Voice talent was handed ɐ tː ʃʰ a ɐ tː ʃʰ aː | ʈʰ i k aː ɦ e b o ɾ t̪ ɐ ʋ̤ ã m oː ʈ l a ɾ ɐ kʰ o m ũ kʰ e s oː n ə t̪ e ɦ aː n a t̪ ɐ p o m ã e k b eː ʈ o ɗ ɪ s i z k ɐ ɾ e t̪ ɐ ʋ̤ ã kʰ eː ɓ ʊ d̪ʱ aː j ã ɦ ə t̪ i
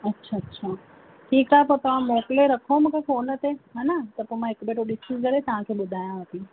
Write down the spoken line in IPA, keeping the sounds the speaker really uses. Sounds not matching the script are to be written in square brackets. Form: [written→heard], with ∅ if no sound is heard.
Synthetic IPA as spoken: ɐ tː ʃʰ a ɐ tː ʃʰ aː | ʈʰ [i→iː] k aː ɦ e [b→p] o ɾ t̪ ɐ ʋ̤ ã m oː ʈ l [a→e] ɾ ɐ kʰ o m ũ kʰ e [s→f] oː n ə t̪ e ɦ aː n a t̪ ɐ p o m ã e k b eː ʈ o ɗ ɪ s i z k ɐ ɾ e t̪ ɐ ʋ̤ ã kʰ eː ɓ ʊ d̪ʱ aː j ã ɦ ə t̪ i